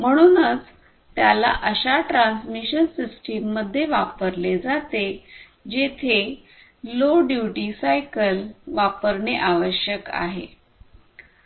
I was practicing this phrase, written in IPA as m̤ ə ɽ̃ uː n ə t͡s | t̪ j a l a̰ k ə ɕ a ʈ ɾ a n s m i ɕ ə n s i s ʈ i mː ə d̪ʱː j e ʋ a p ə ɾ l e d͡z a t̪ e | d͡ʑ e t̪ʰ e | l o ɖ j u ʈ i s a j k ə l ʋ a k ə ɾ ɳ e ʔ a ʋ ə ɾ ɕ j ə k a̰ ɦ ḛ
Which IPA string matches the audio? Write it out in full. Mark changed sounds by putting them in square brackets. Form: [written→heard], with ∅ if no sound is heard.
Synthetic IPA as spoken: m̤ ə ɽ̃ uː n ə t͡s | t̪ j a l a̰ [k→ʔ] ə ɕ a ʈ ɾ a n s m i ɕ ə n s i s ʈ i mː ə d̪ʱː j e ʋ a p ə ɾ l e d͡z a t̪ e | d͡ʑ e t̪ʰ e | l o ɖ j u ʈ i s a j k ə l ʋ a [k→p] ə ɾ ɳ e ʔ a ʋ ə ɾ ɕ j ə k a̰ ɦ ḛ